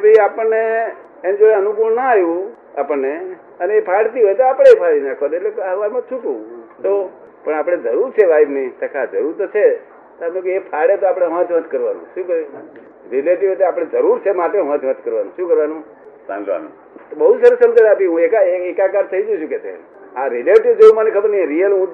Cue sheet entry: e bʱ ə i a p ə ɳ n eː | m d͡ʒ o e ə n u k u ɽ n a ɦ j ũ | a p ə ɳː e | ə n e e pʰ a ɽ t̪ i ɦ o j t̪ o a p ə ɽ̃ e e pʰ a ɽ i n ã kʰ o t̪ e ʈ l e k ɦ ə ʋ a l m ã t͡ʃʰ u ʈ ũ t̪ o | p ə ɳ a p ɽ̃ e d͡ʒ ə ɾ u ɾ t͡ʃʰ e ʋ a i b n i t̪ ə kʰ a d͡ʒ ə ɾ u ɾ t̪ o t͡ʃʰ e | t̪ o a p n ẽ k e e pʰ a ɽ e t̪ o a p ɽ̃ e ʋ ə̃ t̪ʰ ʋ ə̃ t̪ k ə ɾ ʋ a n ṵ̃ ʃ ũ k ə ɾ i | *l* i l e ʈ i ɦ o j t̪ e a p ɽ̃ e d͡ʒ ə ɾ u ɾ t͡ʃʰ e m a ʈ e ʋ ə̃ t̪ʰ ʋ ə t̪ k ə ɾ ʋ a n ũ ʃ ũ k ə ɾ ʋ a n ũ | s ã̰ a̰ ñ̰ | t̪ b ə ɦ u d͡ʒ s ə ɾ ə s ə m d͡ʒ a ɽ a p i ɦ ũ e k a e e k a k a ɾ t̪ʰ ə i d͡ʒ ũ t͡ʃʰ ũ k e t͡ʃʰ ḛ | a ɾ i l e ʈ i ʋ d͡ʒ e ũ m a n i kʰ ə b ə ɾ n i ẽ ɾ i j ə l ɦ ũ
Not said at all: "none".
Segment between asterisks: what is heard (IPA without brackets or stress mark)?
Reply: ɾ